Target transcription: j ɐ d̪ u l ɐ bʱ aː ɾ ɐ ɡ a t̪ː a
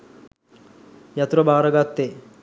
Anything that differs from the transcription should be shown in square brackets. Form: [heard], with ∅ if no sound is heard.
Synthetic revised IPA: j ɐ [t̪] u [ɾ] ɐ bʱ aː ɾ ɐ ɡ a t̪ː [e]